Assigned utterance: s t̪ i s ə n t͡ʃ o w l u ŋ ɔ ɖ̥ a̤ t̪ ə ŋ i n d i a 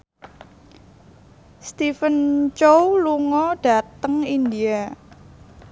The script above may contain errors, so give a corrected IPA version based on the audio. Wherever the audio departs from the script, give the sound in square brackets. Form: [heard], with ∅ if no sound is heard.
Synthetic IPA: s t̪ i [f] ə n t͡ʃ o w l u ŋ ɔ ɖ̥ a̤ t̪ ə ŋ i n d i a